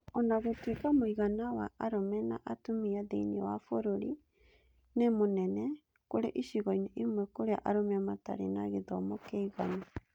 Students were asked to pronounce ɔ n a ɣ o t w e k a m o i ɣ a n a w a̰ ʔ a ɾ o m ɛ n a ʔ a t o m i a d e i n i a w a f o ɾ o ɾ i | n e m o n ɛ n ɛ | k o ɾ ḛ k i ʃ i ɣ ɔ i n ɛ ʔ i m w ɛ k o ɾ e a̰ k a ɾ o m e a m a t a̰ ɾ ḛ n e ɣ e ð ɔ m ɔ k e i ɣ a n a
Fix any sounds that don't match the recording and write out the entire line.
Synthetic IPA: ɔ n a ɣ o t w e k a m o i ɣ a n a w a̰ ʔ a ɾ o m ɛ n a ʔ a t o m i a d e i n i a w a f o ɾ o ɾ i | n e m o n ɛ n ɛ | k o ɾ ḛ ʔ i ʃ i ɣ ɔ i n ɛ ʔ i m w ɛ k o ɾ e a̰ ʔ a ɾ o m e a m a t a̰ ɾ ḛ n a ɣ e ð ɔ m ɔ k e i ɣ a n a

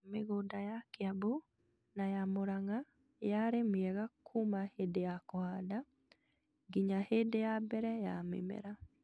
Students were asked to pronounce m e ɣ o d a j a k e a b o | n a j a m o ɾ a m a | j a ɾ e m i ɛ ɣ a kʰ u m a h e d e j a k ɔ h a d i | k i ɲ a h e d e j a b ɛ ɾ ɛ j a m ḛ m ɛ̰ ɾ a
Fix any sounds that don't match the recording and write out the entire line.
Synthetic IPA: m e ɣ o d a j a k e a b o | n a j a m o ɾ a ŋ a | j a ɾ e m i ɛ ɣ a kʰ u m a h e d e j a k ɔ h a d a | ɡ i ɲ a h e d e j a b ɛ ɾ ɛ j a m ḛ m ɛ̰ ɾ a

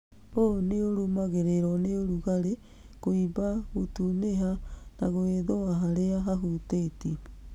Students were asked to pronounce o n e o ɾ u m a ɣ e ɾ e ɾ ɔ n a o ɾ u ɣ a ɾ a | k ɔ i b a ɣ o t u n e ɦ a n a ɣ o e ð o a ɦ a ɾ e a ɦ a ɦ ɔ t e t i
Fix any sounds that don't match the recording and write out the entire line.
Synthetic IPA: o n e o ɾ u m a ɣ e ɾ e ɾ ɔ n e o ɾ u ɣ a ɾ e | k o i b a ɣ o t u n e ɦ a n a ɣ o e ð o a ɦ a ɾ e a ɦ a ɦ u t e t i

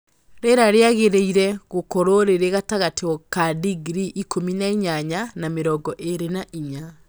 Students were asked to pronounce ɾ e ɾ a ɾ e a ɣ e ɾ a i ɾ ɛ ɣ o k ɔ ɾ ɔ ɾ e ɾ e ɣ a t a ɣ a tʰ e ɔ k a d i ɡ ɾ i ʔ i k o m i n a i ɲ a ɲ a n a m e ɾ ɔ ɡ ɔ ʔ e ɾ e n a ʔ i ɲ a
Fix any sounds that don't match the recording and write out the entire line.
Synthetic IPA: ɾ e ɾ a ɾ e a ɣ e ɾ e i ɾ ɛ ɣ o k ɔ ɾ o ɾ e ɾ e ɣ a t a ɣ a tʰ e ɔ k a d i ɡ ɾ i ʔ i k o m i n a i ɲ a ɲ a n a m e ɾ ɔ ɡ ɔ ʔ e ɾ e n a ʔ i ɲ a

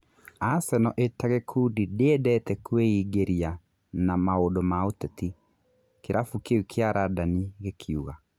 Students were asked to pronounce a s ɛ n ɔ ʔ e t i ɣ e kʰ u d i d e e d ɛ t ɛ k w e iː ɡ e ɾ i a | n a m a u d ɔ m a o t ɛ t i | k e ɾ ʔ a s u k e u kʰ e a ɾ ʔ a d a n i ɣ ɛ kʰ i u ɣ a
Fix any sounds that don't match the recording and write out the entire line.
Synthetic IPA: a s ɛ n ɔ ʔ e t a ɣ e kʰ u d i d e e d ɛ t ɛ k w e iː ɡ e ɾ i a | n a m a o d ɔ m a o t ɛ t i | k e ɾ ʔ a f u k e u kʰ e a ɾ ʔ a d a n i ɣ e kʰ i u ɣ a

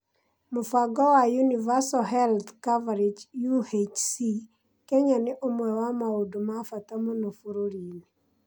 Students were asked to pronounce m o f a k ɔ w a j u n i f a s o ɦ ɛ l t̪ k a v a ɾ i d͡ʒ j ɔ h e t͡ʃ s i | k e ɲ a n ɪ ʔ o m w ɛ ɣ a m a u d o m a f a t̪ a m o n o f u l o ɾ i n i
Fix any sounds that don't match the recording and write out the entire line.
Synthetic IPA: m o f a ɡ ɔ w a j u n i v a s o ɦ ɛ l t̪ k a v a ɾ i d͡ʒ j u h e t͡ʃ s i | k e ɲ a n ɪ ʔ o m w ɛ w a m a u d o m a f a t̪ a m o n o f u ɾ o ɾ i n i

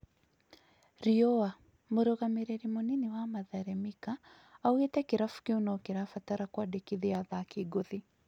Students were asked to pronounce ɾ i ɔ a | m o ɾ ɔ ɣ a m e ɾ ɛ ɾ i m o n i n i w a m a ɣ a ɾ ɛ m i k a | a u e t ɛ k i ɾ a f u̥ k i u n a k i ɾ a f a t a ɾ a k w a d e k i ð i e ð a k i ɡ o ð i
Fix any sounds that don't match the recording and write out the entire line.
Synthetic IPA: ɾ i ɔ a | m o ɾ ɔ ɣ a m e ɾ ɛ ɾ i m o n i n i w a m a ð a ɾ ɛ m i k a | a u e t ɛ k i ɾ a f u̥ k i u n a k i ɾ a f a t a ɾ a k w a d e k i ð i a ð a k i ɡ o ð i

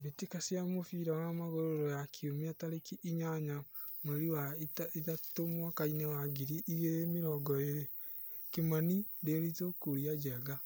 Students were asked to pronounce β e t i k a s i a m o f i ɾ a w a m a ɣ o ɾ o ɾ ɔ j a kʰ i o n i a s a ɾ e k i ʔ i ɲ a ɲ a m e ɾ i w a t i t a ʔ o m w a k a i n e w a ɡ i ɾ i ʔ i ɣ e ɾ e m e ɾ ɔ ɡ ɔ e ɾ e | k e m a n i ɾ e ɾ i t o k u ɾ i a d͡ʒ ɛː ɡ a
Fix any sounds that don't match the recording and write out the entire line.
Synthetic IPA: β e t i k a s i a m o f i ɾ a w a m a ɣ o ɾ o ɾ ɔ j a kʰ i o m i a t a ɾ e k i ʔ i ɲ a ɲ a m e ɾ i w a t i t a t o m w a k a i n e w a ɡ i ɾ i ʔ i ɣ e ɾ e m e ɾ ɔ ɡ ɔ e ɾ e | k e m a n i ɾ e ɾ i t o k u ɾ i a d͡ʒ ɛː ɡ a

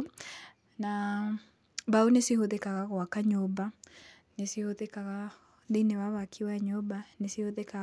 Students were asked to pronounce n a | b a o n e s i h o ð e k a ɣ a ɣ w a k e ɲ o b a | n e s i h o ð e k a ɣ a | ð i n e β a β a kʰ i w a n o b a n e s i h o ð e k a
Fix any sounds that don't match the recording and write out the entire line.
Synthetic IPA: n a | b a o n e s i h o ð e k a ɣ a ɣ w a k a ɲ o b a | n e s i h o ð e k a ɣ a | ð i n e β a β a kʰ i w a ɲ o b a n e s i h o ð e k a

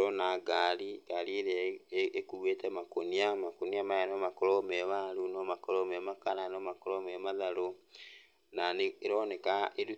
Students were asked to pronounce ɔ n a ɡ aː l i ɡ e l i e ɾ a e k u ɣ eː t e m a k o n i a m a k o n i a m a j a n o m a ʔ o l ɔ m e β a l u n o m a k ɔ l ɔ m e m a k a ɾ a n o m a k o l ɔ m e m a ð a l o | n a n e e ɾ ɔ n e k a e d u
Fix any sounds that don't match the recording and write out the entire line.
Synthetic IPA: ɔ n a ɡ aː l i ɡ a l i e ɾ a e k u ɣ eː t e m a k o n i a m a k o n i a m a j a n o m a k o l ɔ m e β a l u n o m a k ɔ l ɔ m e m a k a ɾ a n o m a k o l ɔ m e m a ð a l o | n a n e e ɾ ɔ n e k a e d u

